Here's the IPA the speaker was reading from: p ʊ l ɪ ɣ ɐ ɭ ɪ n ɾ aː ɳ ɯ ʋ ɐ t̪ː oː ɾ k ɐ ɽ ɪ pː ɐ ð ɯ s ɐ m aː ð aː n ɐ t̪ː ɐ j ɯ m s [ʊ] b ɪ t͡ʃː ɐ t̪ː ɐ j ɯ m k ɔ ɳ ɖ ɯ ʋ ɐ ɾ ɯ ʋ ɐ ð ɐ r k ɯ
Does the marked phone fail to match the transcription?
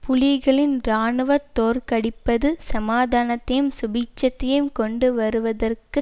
no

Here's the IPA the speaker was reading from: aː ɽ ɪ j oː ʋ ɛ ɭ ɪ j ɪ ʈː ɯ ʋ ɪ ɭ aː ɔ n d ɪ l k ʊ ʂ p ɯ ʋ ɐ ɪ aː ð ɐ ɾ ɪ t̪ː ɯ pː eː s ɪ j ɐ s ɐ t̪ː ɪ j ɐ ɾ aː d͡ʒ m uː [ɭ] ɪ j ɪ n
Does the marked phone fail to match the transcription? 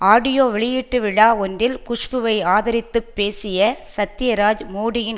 yes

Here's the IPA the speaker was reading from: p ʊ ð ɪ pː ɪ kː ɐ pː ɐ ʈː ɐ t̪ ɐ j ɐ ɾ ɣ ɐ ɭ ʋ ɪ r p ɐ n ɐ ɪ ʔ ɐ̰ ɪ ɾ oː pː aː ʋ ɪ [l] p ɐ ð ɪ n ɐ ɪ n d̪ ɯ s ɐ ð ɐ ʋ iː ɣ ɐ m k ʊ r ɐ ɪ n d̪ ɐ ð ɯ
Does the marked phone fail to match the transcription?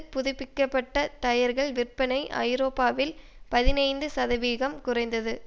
no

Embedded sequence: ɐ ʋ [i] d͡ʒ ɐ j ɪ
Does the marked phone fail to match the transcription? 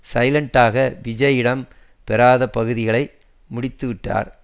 yes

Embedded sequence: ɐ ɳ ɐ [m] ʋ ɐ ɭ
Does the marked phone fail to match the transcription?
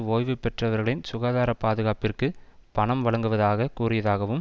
no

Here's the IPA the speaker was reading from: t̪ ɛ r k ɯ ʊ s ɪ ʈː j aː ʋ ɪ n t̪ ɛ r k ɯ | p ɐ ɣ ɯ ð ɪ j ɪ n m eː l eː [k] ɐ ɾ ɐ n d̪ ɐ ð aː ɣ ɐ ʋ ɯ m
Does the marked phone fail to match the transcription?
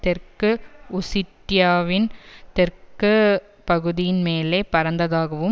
yes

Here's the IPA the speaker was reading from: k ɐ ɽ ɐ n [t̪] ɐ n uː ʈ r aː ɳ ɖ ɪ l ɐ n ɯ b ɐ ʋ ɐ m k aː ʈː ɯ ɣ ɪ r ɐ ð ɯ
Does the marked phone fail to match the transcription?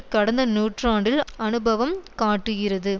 yes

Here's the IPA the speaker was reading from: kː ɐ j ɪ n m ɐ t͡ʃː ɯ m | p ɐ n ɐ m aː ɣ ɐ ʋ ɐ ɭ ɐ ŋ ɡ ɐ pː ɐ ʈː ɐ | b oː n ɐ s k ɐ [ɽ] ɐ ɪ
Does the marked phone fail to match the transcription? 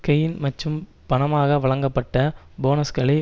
yes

